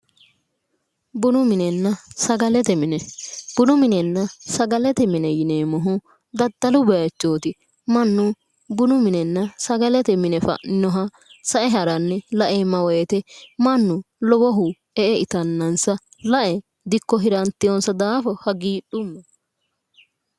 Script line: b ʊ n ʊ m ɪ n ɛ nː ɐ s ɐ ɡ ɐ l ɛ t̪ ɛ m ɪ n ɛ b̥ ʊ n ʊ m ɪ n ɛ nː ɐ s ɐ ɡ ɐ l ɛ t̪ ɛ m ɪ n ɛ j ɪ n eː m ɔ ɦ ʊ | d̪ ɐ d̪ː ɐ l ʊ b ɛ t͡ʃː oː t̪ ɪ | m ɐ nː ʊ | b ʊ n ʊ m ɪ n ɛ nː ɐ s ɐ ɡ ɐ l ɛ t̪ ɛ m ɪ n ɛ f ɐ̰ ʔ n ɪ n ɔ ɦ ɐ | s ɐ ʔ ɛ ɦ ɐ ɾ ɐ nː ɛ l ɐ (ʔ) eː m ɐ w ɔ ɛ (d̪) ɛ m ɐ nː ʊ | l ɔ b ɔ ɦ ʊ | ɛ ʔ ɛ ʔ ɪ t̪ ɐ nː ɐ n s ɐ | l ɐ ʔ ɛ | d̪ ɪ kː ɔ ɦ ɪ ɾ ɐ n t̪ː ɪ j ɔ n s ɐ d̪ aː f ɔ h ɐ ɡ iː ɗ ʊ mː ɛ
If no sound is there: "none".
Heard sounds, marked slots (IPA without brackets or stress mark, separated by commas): ʔ, t̪